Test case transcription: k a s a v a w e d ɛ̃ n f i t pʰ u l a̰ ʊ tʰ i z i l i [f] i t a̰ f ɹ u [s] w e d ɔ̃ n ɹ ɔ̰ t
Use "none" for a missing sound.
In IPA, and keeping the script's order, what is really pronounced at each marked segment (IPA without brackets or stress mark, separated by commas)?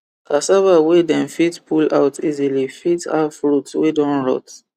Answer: f, t